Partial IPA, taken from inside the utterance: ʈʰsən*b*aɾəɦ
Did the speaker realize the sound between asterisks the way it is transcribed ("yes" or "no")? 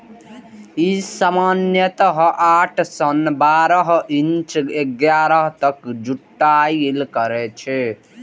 yes